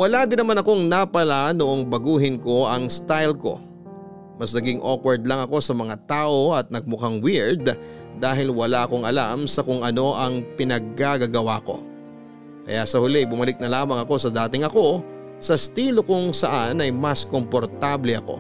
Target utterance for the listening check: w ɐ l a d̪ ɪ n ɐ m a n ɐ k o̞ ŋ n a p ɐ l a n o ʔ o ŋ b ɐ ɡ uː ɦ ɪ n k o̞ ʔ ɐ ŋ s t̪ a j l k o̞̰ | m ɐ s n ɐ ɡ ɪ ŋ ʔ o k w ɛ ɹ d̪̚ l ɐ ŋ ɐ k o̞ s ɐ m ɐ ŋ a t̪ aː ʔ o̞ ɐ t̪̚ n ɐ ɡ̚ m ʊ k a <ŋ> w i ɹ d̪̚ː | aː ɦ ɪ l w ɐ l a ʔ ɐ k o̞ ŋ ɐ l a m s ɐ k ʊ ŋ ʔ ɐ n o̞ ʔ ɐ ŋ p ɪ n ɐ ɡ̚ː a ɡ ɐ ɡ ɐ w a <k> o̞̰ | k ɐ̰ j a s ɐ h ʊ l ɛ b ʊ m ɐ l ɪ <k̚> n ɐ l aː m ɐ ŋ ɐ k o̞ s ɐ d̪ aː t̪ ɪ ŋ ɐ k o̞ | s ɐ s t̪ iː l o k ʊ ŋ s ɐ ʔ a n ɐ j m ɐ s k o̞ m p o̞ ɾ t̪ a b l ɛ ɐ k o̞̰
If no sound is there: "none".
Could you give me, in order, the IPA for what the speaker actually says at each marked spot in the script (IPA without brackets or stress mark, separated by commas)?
ŋ, k, k̚